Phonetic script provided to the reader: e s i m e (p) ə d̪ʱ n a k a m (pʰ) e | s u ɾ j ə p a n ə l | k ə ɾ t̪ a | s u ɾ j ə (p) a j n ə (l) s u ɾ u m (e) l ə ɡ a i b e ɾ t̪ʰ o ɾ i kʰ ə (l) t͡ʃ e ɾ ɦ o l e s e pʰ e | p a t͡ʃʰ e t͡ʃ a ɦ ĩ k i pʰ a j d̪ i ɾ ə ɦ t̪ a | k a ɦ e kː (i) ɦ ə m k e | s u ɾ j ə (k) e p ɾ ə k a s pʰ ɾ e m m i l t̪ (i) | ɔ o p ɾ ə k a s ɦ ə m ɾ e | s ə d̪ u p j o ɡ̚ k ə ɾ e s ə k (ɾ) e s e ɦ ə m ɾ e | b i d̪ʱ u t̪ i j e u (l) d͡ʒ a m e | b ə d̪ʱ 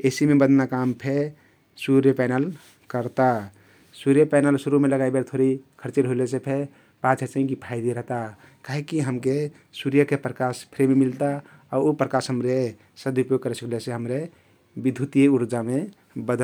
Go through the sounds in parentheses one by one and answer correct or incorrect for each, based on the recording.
incorrect, correct, correct, correct, correct, incorrect, correct, correct, incorrect, incorrect, incorrect

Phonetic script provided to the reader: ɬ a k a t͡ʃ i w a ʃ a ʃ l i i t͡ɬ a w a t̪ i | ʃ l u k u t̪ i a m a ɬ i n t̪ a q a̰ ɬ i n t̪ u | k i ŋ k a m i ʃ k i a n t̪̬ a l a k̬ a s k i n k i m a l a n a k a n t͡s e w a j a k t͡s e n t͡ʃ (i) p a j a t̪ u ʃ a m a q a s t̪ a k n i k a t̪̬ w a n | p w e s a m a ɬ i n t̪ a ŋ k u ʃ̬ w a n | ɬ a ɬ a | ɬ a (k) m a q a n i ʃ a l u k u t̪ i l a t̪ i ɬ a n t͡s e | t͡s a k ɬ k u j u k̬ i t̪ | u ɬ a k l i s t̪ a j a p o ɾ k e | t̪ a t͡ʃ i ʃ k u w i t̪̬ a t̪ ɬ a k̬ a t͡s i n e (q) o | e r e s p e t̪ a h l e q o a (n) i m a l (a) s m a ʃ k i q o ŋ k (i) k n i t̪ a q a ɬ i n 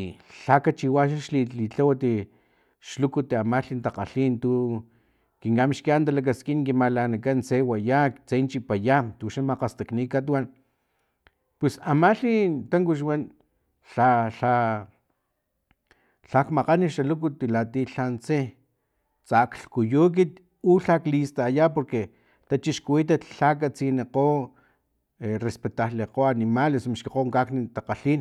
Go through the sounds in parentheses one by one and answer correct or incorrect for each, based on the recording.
correct, correct, correct, correct, incorrect, incorrect

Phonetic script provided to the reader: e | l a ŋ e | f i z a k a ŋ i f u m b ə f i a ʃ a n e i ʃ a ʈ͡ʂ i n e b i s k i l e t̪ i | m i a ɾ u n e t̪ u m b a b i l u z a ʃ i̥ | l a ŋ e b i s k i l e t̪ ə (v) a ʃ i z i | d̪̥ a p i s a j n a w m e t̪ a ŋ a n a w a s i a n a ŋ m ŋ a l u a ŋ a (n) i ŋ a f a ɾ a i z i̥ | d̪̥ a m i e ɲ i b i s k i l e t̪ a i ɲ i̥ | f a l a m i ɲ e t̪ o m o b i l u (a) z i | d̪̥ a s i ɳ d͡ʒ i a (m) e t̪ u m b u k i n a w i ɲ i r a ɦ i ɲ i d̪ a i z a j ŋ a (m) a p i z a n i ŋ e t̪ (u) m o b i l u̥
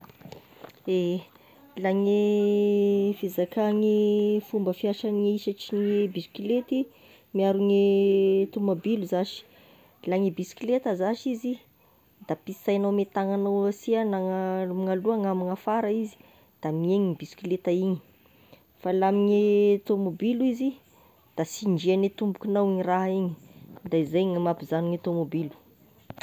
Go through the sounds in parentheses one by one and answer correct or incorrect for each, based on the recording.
incorrect, incorrect, incorrect, incorrect, correct, incorrect

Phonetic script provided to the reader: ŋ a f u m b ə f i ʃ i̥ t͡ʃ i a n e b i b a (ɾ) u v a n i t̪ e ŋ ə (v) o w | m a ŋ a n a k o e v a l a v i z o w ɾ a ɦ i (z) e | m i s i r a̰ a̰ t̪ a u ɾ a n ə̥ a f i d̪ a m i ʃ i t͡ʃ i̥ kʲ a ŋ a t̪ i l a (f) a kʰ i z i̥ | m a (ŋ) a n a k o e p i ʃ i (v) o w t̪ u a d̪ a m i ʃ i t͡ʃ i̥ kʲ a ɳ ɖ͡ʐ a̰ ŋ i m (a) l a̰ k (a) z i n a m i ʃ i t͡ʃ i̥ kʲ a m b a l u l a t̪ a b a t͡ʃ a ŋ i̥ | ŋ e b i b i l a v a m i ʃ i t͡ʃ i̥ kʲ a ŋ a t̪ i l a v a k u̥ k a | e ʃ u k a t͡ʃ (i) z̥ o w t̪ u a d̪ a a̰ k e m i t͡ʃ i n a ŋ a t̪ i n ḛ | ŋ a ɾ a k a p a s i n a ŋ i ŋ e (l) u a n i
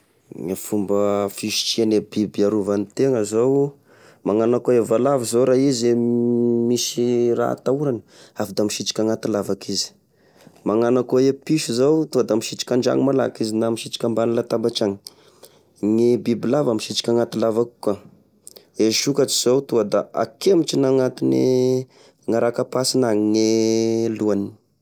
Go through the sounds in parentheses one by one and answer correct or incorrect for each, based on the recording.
correct, incorrect, correct, incorrect, correct, incorrect, correct, incorrect, correct, correct

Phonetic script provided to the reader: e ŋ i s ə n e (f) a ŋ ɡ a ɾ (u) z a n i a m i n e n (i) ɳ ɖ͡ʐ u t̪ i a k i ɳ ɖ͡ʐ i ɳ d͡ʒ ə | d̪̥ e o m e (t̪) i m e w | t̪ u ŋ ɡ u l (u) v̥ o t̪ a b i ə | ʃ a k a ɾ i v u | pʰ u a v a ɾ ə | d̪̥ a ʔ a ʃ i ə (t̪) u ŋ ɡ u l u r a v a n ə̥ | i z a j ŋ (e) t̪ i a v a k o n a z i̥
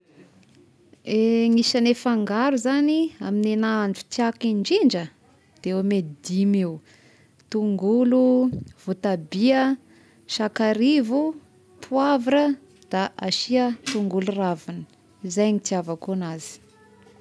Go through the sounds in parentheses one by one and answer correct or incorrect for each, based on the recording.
correct, correct, incorrect, incorrect, correct, correct, incorrect

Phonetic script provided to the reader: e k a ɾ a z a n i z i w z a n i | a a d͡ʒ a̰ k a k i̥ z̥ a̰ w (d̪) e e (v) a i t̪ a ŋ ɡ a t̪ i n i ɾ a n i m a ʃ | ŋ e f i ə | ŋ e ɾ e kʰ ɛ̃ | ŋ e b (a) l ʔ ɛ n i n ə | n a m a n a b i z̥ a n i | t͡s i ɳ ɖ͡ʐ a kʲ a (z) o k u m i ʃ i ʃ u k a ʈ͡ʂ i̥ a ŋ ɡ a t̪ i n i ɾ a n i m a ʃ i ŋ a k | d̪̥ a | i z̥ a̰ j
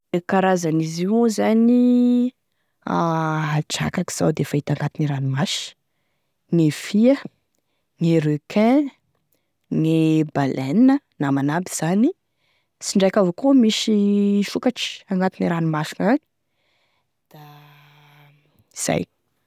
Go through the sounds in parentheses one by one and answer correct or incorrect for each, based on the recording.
correct, incorrect, correct, incorrect

